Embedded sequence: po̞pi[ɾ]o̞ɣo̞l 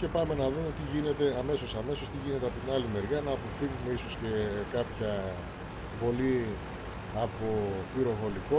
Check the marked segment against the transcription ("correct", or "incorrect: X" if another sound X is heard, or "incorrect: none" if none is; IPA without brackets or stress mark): correct